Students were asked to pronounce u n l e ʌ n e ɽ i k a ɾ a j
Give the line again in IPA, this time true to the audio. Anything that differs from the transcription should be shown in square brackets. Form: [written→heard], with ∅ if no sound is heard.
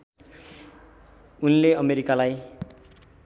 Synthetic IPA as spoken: u n l e ʌ [n→m] e [ɽ→ɾ] i k a [ɾ→l] a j